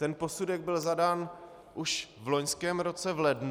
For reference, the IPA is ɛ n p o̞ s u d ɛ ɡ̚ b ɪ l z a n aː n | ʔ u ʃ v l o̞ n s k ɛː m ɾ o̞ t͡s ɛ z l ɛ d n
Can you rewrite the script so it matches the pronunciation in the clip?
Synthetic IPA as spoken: ɛ n p o̞ s u d ɛ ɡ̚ b ɪ l z a d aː n | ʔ u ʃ v l o̞ ɲ s k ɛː m ɾ o̞ t͡s ɛ v l ɛ d n